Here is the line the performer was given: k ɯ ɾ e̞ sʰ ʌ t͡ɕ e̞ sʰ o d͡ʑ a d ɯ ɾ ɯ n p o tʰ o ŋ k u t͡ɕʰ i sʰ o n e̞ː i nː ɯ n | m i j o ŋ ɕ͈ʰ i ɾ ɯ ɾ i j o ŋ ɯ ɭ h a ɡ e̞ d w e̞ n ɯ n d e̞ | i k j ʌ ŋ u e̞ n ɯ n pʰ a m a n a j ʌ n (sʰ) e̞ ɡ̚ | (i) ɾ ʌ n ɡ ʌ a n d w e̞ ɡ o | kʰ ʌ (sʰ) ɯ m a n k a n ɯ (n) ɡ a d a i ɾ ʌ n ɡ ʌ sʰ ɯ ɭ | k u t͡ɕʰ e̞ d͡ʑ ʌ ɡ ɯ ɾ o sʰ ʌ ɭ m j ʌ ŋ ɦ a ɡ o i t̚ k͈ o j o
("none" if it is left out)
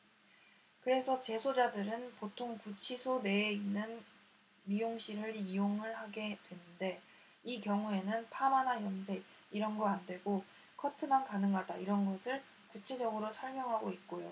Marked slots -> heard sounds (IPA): sʰ, i, tʰ, ŋ

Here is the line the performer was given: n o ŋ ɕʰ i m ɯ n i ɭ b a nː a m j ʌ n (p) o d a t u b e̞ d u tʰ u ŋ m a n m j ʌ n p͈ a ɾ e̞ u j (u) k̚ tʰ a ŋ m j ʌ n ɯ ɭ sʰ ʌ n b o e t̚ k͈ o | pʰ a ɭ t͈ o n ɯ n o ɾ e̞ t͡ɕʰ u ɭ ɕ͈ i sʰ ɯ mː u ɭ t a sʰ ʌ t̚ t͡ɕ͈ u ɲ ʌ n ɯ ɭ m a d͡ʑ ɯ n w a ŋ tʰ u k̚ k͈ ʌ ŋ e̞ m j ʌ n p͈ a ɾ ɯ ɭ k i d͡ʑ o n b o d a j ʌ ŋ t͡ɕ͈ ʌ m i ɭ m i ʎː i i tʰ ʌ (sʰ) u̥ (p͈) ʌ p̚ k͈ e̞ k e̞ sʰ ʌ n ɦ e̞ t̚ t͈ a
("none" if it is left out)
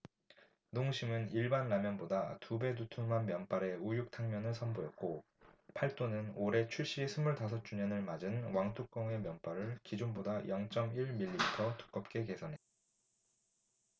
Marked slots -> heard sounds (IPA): b, u, tʰ, k͈

